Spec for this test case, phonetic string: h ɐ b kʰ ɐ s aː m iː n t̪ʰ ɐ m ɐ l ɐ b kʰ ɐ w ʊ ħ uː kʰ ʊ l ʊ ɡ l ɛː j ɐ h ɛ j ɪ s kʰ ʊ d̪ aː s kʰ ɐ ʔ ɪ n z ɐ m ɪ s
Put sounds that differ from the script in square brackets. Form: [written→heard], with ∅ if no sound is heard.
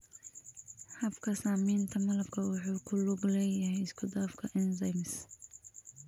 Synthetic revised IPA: h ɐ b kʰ ɐ s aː m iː n t̪ʰ ɐ m ɐ l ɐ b kʰ ɐ w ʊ ħ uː kʰ ʊ l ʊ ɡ l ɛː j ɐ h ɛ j ɪ s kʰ ʊ d̪ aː [s→f] kʰ ɐ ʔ ɪ n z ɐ m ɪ s